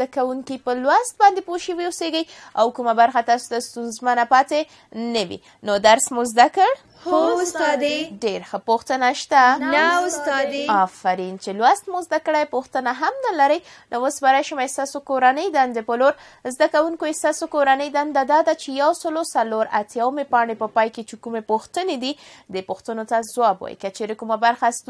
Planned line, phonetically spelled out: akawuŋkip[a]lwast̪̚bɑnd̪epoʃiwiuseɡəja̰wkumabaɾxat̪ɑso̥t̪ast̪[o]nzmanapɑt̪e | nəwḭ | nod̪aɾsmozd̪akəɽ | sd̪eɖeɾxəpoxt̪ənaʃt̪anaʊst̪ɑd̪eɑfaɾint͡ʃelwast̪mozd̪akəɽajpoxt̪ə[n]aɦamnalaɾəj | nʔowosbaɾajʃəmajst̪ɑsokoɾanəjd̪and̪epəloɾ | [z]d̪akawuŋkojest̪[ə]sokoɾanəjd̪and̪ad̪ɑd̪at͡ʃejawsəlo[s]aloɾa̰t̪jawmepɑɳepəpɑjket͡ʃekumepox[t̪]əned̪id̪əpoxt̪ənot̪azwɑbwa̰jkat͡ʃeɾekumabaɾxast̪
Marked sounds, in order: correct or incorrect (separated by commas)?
incorrect, incorrect, correct, correct, incorrect, correct, correct